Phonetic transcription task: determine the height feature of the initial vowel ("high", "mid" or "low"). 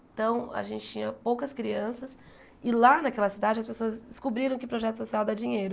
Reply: low